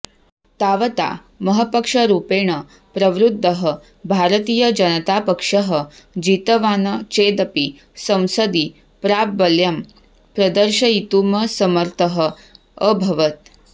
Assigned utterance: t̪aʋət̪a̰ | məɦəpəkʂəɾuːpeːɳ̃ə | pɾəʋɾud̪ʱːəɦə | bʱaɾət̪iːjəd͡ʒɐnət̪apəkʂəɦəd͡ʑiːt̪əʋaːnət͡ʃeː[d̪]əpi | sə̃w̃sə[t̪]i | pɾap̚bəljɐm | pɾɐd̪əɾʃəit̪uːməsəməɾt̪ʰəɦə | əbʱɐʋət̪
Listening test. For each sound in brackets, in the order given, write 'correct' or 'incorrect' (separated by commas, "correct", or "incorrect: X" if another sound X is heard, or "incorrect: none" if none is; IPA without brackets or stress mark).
correct, incorrect: d̪